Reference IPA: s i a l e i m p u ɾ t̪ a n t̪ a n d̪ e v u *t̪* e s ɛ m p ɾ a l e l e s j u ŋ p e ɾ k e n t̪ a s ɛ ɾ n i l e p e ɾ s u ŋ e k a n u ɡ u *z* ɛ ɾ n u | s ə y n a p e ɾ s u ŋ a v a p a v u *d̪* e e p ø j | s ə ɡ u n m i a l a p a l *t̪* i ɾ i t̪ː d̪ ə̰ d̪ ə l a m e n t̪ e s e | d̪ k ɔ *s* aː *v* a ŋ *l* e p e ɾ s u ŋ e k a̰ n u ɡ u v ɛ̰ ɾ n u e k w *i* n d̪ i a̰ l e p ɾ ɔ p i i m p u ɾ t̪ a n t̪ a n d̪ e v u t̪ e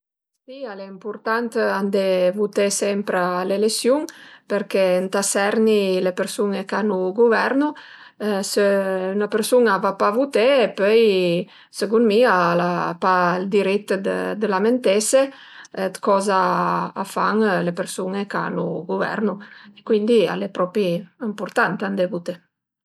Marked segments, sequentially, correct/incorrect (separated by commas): correct, incorrect, incorrect, incorrect, incorrect, incorrect, correct, correct